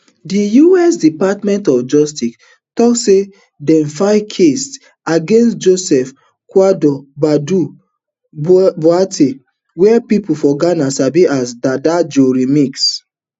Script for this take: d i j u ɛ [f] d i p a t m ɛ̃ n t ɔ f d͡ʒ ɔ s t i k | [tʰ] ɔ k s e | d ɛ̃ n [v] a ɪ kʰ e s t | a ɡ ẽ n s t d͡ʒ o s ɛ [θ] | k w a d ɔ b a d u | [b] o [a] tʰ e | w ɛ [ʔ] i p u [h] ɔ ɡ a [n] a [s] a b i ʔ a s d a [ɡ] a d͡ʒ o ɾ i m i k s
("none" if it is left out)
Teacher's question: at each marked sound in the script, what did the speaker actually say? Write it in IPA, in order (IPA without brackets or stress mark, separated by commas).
s, t, f, f, b, a, p, f, n, s, d